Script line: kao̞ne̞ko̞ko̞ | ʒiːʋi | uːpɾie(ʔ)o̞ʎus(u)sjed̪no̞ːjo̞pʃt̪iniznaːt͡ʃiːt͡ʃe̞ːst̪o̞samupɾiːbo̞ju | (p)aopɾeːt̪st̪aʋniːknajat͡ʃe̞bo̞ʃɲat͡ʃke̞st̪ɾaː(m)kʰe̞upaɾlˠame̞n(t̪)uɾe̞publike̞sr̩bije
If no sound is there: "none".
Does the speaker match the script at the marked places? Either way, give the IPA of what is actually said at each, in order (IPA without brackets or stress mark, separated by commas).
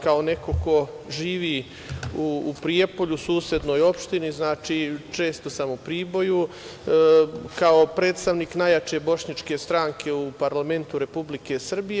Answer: p, uː, k, ŋ, t̪